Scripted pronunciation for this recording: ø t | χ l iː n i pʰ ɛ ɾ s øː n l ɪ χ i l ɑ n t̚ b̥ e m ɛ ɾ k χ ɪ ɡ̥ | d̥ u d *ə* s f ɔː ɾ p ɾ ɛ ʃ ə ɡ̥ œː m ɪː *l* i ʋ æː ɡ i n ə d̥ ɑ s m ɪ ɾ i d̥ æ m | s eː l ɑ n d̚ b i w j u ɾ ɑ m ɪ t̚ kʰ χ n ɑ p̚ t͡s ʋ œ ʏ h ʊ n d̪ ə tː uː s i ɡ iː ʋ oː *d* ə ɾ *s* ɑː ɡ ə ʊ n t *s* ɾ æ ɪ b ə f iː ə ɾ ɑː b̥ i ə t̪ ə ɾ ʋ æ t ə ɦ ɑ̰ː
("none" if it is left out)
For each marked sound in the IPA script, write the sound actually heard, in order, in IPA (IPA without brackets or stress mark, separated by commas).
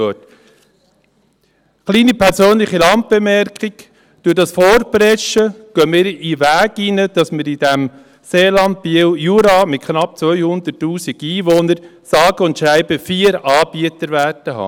ɑ, ɾ, n, s, ʃ